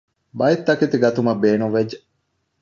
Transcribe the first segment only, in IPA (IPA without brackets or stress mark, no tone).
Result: b